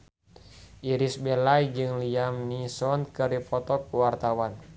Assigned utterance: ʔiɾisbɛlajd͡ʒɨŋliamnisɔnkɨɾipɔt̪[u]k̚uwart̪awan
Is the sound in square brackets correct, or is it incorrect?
incorrect: ɔ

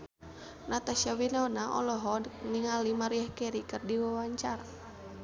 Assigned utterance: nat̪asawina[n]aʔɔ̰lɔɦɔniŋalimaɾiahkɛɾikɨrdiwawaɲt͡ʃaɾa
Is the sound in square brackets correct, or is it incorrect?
correct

